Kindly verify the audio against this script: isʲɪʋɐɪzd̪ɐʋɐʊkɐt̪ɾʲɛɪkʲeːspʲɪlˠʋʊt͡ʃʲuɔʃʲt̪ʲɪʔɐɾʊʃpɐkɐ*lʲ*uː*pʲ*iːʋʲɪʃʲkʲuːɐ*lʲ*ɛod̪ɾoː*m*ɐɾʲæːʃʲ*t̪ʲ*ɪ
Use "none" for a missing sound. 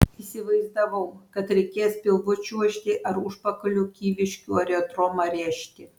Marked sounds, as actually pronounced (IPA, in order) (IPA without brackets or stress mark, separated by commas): lʲ, kʲ, ɾʲ, m, t̪ʲ